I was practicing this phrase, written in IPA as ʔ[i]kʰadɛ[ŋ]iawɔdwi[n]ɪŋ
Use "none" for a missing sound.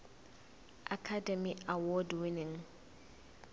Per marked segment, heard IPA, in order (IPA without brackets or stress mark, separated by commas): a, m, n